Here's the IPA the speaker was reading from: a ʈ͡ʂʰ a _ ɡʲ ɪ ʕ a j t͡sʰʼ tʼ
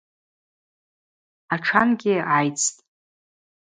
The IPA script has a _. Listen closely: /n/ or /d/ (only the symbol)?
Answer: n